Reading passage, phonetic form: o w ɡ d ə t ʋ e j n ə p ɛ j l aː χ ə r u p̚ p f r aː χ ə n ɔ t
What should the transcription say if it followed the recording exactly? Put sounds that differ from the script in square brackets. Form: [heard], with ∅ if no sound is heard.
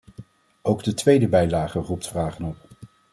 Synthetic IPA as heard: o w ɡ d ə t ʋ e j [d] ə [b] ɛ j l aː χ ə r u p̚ [t] f r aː χ ə n ɔ [p]